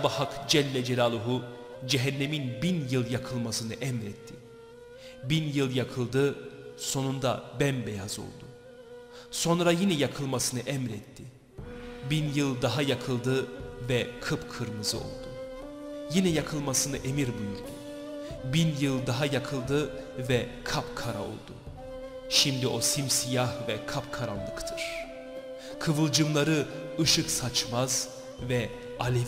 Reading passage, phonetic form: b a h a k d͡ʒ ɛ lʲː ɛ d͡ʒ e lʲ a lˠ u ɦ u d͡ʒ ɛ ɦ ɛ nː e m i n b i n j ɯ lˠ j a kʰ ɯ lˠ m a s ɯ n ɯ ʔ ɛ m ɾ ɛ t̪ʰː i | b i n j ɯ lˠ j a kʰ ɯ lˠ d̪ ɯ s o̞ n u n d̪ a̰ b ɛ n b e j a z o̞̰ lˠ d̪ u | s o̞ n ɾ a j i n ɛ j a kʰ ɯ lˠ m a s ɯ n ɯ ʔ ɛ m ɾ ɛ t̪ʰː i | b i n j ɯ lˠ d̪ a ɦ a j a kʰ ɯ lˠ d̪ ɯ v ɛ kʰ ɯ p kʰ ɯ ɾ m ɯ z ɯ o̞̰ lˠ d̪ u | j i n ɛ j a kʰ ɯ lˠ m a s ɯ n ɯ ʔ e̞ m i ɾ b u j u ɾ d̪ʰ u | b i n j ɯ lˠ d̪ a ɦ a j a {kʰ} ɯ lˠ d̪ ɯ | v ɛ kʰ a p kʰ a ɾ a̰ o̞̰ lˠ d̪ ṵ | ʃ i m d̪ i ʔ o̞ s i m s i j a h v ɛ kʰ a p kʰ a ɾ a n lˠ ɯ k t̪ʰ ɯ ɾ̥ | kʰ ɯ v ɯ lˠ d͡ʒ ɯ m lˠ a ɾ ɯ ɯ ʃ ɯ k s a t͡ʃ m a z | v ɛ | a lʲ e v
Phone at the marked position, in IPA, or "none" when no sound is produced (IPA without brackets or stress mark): kʰ